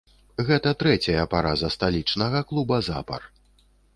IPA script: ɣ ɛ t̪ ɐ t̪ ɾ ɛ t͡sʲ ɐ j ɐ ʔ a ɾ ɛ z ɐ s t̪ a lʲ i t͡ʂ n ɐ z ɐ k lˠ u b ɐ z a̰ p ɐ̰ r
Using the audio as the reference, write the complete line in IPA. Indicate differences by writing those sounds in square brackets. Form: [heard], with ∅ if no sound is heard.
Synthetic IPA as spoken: ɣ ɛ t̪ ɐ t̪ ɾ ɛ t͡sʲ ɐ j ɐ [p] a ɾ [a] z ɐ s t̪ a lʲ i t͡ʂ n ɐ [ɣ] ɐ k lˠ u b ɐ z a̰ p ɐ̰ r

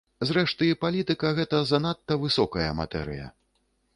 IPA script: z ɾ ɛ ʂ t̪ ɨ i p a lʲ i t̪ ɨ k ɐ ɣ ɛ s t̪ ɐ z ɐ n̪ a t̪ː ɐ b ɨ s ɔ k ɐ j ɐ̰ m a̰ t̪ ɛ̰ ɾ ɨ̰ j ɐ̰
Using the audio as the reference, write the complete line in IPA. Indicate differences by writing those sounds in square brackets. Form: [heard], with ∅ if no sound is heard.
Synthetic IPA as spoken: z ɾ ɛ ʂ t̪ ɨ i p a lʲ i t̪ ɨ k ɐ ɣ ɛ [∅] t̪ ɐ z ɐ n̪ a t̪ː ɐ [v] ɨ s ɔ k ɐ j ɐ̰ m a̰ t̪ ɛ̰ ɾ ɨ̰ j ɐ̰

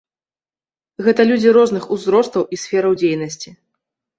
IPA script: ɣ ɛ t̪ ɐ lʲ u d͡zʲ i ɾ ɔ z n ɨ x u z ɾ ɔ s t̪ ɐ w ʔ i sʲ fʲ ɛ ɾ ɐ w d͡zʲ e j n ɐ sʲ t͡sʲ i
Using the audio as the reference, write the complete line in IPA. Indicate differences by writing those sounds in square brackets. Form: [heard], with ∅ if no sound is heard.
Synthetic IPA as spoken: ɣ ɛ t̪ ɐ lʲ u d͡zʲ i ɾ ɔ z n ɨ x u z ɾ ɔ s t̪ ɐ w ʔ i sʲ fʲ ɛ ɾ ɐ w d͡zʲ e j n ɐ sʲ t͡sʲ i

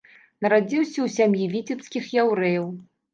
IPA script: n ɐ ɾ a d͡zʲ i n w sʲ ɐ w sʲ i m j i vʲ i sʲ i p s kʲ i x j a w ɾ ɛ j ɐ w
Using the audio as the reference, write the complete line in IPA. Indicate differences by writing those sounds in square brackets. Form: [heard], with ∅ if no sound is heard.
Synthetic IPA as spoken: n ɐ ɾ a d͡zʲ i [∅] w sʲ ɐ w sʲ [a] m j i vʲ i [t͡sʲ] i p s kʲ i x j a w ɾ ɛ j ɐ w

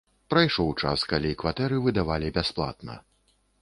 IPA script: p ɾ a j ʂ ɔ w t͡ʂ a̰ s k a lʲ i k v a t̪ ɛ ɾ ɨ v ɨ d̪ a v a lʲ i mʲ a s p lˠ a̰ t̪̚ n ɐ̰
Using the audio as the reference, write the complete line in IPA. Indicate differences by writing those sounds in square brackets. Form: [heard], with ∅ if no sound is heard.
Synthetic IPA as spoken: p ɾ a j ʂ ɔ w t͡ʂ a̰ s k a lʲ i k v a t̪ ɛ ɾ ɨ v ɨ d̪ a v a lʲ i [bʲ] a s p lˠ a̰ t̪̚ n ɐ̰

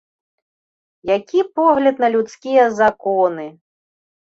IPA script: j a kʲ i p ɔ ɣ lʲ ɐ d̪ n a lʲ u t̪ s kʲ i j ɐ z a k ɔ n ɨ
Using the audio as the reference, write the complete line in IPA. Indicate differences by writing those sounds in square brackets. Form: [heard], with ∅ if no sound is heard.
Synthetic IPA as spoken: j a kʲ i p ɔ ɣ lʲ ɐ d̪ n [ɐ] lʲ u t̪ s kʲ i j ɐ z a k ɔ n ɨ

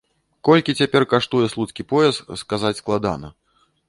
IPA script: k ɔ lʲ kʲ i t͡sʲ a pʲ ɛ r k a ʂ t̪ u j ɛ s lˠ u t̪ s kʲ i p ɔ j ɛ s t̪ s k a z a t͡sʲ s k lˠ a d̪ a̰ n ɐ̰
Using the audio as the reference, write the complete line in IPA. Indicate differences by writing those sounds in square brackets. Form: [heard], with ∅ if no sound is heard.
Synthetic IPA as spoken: k ɔ lʲ kʲ i t͡sʲ a pʲ ɛ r k a ʂ t̪ u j ɛ s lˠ u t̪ s kʲ i p ɔ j ɛ s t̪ s k a z a t͡sʲ s k lˠ a d̪ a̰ n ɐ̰

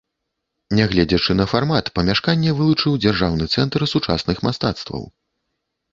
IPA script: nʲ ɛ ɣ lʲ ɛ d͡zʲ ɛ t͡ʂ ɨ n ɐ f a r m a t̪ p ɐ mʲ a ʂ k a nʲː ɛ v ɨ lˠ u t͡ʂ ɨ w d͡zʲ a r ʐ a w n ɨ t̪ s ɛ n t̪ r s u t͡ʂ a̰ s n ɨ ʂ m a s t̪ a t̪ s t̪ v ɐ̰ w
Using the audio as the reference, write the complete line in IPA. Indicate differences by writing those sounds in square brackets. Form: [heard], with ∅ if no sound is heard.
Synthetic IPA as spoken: nʲ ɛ ɣ lʲ ɛ d͡zʲ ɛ t͡ʂ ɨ n ɐ f a r m a t̪ p ɐ mʲ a ʂ k a nʲː ɛ v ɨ lˠ u t͡ʂ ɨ w d͡zʲ a r ʐ a w n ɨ t̪ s ɛ n t̪ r s u t͡ʂ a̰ s n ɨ [x] m a s t̪ a t̪ s t̪ v ɐ̰ w

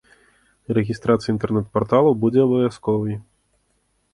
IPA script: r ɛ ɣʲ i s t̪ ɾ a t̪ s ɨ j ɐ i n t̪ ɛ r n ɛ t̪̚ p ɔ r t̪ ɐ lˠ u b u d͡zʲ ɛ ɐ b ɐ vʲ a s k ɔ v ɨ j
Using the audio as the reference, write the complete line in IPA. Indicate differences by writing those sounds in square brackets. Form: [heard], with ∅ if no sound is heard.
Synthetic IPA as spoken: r ɛ ɣʲ i s t̪ ɾ a t̪ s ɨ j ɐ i n t̪ ɛ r n ɛ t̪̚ p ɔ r t̪ [a] lˠ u b u d͡zʲ ɛ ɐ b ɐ vʲ a s k ɔ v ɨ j

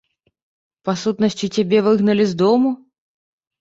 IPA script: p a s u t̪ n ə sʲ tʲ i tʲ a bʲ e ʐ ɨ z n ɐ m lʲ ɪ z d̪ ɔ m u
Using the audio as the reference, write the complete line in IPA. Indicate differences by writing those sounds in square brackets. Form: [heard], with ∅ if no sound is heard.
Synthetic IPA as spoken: p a s u t̪ n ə sʲ tʲ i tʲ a bʲ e [v] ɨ [ɣ] n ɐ [∅] lʲ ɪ z d̪ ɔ m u

